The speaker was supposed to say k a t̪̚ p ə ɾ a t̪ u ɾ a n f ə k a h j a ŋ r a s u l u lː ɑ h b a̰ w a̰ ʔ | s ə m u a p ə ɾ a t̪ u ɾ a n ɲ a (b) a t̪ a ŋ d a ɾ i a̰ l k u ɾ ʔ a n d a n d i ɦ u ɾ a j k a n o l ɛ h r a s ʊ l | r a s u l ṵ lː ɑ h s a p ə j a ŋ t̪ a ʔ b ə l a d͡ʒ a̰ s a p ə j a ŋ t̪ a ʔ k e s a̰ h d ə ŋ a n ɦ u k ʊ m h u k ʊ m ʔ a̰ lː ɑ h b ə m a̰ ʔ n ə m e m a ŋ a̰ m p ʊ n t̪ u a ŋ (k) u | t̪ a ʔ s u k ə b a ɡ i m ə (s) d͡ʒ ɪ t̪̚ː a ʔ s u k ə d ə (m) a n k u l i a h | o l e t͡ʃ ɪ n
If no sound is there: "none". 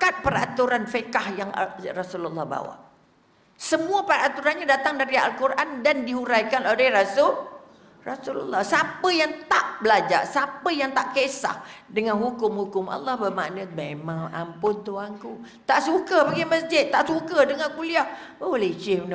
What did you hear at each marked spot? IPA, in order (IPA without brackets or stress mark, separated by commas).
d, k, s, ŋ